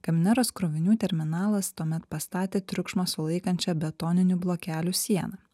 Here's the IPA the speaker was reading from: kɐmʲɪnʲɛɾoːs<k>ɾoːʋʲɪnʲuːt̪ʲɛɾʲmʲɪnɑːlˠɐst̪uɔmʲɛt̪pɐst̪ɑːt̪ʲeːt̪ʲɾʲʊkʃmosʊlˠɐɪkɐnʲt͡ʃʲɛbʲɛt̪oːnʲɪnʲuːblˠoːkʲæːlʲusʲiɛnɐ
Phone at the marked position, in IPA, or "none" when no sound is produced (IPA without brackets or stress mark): k